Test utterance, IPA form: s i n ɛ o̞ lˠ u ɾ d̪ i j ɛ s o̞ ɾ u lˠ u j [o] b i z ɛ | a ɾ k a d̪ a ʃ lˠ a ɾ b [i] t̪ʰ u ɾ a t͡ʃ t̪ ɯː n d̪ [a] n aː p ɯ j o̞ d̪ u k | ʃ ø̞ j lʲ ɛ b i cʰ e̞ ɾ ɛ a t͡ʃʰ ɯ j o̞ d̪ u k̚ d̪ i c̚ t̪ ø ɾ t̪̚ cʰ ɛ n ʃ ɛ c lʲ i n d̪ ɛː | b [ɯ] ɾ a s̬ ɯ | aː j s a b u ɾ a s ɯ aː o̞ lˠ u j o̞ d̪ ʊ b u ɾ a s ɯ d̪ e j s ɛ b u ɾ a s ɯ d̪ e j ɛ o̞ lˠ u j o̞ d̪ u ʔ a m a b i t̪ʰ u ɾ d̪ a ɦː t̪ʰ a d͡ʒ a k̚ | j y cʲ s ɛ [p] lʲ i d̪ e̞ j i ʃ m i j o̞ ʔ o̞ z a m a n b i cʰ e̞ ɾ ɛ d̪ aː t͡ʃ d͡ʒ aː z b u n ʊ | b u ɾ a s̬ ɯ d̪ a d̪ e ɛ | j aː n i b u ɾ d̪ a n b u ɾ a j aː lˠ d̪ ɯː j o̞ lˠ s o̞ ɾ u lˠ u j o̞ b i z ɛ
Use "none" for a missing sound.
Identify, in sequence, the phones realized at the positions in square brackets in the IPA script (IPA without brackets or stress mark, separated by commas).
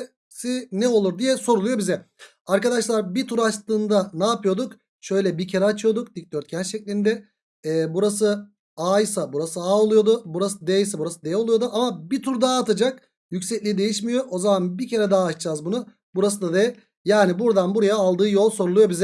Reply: o, i, a, u, c